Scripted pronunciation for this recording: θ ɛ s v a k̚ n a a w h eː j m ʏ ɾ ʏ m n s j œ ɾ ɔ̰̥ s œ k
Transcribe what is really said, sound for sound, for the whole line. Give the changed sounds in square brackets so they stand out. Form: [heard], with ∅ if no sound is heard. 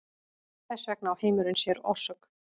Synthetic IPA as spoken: θ ɛ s v [ɛ] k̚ n a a w h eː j m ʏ ɾ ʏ [∅] n s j [ɛ] ɾ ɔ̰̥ s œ k